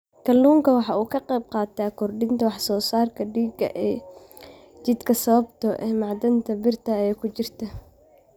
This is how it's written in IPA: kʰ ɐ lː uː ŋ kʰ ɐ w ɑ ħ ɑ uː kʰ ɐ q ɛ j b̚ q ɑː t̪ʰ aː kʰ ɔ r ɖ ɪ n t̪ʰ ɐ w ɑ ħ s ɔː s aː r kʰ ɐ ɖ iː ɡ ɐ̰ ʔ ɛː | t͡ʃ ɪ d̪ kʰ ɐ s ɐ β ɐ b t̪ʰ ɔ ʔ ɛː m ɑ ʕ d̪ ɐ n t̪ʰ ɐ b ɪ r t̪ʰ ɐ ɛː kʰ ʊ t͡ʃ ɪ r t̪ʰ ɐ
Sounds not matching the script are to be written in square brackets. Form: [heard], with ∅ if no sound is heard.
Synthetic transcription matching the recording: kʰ ɐ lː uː ŋ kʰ ɐ w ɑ ħ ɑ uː kʰ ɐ q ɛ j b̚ q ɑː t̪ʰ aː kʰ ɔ r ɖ ɪ n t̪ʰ ɐ w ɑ ħ s ɔː s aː r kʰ ɐ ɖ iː ɡ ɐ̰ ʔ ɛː | t͡ʃ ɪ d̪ kʰ ɐ s ɐ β ɐ b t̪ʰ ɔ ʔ ɛː m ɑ ʕ d̪ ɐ n t̪ʰ ɐ b ɪ r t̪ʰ ɐ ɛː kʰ ʊ t͡ʃ ɪ r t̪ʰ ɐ